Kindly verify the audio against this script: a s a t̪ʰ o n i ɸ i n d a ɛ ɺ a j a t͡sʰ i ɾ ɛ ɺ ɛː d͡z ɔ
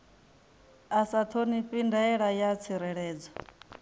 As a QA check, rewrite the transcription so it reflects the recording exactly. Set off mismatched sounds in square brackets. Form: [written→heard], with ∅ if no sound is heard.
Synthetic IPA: a s a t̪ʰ o n i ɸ i n d a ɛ ɺ a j a t͡sʰ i ɾ ɛ ɺ ɛː d͡z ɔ